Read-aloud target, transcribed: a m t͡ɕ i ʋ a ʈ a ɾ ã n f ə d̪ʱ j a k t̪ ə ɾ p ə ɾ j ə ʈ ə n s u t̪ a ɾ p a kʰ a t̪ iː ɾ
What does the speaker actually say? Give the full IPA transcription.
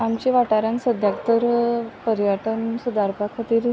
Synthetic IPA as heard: a m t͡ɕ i ʋ a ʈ a ɾ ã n s ə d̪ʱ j a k t̪ ə ɾ p ə ɾ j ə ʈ ə n s u d̪ a ɾ p a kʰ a t̪ iː ɾ